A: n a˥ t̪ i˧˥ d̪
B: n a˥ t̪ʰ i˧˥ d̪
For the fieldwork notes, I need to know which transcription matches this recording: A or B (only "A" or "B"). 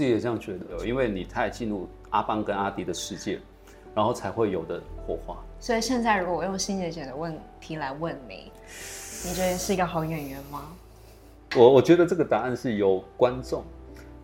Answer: A